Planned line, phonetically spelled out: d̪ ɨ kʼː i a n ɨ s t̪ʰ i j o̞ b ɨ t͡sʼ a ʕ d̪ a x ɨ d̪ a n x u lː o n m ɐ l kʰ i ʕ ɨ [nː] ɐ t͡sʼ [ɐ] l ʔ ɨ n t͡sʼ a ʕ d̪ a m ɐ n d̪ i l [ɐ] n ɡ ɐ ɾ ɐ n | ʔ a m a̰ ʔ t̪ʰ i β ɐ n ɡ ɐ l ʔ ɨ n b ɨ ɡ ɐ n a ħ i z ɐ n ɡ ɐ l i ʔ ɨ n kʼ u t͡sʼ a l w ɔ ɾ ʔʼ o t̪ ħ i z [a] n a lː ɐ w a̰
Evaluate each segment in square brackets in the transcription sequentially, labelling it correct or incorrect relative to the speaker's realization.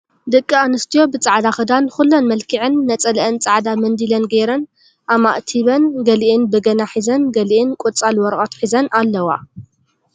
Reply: correct, correct, correct, incorrect

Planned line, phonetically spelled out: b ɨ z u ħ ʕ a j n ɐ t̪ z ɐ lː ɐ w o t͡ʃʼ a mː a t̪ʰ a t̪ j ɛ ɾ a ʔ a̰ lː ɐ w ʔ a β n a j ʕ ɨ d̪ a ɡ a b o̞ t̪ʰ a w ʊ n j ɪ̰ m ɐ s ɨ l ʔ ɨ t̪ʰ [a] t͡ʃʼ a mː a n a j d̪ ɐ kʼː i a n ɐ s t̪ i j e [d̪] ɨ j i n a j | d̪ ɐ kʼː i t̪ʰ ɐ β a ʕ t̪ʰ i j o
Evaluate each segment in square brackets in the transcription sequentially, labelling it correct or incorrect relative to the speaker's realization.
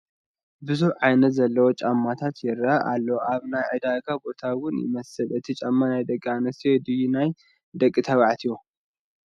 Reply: incorrect, correct

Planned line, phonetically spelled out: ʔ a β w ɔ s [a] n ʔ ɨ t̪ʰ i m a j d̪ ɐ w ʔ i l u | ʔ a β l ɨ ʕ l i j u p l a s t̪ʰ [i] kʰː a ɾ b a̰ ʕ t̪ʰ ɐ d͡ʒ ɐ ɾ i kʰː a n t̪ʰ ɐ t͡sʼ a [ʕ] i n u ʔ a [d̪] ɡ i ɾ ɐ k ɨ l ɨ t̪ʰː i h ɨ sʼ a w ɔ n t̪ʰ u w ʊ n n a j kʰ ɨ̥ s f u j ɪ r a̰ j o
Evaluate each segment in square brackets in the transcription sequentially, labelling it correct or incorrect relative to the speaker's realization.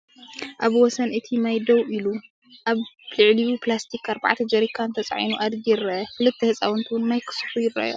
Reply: incorrect, correct, correct, correct

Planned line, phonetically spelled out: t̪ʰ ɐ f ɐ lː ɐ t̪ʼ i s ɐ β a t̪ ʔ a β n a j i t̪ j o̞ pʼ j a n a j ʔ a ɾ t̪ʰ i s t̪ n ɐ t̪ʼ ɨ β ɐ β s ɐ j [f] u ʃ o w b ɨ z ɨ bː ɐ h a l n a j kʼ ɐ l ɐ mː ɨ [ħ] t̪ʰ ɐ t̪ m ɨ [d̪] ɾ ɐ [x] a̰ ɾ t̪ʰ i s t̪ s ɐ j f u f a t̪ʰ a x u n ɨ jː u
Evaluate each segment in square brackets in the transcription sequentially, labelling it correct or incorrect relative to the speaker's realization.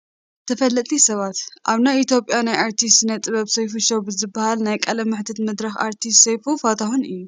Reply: correct, correct, correct, correct

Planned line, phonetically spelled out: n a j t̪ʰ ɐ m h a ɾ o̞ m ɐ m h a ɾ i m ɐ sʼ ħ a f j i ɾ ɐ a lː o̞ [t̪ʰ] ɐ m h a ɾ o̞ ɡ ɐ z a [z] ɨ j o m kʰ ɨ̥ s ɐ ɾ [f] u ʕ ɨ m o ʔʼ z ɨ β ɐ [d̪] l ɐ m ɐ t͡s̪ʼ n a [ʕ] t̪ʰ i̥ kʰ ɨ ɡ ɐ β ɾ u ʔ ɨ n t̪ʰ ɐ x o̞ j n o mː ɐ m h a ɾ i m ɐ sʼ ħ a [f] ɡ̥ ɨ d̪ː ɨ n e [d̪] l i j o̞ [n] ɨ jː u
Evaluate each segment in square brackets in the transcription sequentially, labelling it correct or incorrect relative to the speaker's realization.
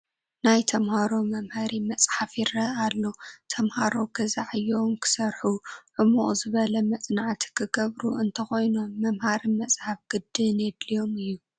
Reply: correct, incorrect, incorrect, incorrect, correct, correct, correct, incorrect

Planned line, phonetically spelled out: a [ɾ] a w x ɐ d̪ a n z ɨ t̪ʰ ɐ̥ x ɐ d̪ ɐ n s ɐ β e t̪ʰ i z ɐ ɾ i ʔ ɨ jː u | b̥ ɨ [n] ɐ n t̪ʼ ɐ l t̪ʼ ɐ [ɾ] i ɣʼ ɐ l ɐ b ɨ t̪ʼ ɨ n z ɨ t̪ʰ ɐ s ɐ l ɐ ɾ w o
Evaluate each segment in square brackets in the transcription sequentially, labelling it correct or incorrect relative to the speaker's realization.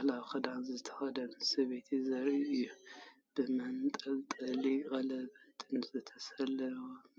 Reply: incorrect, incorrect, incorrect

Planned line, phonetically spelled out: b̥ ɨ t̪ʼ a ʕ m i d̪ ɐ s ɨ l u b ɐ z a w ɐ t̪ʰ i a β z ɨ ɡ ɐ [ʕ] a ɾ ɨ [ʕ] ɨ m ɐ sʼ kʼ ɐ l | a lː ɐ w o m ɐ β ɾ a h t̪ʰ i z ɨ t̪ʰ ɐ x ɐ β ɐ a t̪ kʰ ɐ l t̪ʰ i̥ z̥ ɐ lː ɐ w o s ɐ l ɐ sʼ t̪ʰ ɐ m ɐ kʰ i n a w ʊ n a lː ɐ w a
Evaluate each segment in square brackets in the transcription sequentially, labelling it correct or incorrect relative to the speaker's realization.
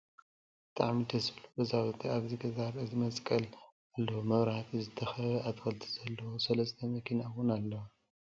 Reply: incorrect, incorrect

